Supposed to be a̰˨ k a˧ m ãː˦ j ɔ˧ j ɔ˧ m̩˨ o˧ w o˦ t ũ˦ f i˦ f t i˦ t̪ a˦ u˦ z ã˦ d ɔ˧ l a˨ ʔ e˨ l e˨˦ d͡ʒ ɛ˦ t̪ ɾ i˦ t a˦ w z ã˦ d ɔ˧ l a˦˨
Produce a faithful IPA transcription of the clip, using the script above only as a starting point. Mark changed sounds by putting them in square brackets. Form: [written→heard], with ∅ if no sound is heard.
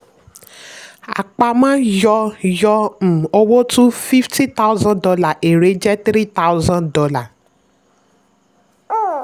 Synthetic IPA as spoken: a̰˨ [k→k͡p] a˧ m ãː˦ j ɔ˧ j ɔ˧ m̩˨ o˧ w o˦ t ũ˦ f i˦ f t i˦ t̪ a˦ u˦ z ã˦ d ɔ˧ l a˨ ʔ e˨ [l→ɾ] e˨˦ d͡ʒ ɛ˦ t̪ ɾ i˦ t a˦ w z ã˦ d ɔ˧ l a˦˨